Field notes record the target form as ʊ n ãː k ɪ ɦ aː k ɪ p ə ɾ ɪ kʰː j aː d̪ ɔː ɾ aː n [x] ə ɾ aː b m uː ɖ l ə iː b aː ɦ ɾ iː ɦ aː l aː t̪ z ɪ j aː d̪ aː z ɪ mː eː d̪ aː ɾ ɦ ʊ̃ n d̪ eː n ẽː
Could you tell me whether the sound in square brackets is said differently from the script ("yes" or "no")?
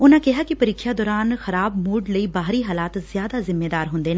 no